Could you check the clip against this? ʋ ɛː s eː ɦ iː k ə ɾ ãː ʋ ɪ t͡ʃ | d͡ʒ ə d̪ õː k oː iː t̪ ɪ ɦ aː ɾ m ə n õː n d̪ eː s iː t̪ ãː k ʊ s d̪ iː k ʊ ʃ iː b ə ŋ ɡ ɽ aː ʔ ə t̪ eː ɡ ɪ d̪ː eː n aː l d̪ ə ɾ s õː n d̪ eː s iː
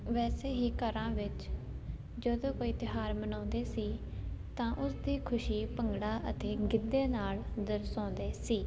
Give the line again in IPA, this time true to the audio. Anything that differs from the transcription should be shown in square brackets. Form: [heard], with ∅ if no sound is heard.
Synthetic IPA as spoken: ʋ ɛː s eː ɦ iː k ə ɾ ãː ʋ ɪ t͡ʃ | d͡ʒ ə d̪ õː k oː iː t̪ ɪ ɦ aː ɾ m ə n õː n d̪ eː s iː t̪ ãː [ʔ] ʊ s d̪ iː [kʰ] ʊ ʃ iː [p] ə ŋ ɡ ɽ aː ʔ ə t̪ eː ɡ ɪ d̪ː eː n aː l d̪ ə ɾ s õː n d̪ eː s iː